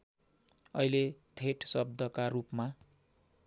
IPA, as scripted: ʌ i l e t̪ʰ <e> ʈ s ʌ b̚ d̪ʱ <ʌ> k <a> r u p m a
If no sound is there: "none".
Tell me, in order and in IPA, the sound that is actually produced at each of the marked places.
e, ʌ, a

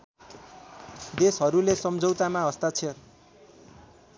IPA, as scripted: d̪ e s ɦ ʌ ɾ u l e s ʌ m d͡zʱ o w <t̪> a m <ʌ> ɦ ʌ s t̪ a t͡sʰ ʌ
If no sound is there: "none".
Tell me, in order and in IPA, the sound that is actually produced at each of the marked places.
t̪, a

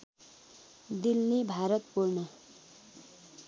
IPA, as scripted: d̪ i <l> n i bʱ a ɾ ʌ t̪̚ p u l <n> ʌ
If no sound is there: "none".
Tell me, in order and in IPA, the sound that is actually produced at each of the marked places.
l, n

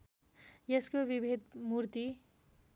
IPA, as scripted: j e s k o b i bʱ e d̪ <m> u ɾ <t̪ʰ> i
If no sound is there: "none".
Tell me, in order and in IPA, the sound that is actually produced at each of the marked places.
m, t̪

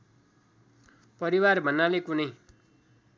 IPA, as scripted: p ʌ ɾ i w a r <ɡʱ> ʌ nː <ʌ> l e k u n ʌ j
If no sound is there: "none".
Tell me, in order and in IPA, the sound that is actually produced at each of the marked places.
bʱ, a

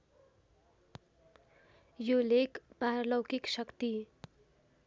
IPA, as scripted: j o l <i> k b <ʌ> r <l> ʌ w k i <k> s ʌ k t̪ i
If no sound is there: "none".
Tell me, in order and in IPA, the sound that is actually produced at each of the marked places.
e, a, l, k

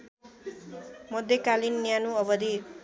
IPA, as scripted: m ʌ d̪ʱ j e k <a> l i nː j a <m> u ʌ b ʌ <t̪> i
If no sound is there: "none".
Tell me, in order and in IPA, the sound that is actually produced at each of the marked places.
a, n, d̪

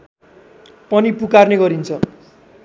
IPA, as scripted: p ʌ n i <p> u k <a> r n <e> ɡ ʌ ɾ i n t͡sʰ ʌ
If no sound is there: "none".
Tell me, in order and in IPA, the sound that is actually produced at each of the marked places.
p, a, e

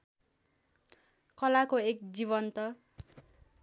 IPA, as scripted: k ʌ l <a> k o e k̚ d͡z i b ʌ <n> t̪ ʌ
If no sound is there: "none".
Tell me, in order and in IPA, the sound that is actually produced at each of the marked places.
a, n

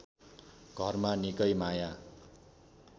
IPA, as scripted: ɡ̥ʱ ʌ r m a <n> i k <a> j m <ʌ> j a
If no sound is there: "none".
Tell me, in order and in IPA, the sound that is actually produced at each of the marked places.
n, ʌ, a

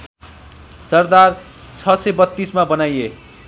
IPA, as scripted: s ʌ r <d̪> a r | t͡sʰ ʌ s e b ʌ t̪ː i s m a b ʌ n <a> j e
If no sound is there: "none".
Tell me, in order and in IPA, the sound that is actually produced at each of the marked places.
d̪, a

